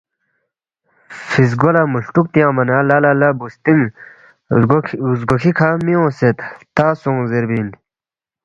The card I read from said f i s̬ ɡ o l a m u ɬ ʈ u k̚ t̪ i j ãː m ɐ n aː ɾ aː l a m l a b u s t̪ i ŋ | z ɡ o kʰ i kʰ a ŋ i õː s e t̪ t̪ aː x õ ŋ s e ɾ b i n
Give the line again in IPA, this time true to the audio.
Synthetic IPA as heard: f i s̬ ɡ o l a m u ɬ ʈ u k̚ t̪ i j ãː m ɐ n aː l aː l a l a b u s t̪ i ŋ | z ɡ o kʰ i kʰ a m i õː s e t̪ t̪ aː s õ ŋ z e ɾ b i n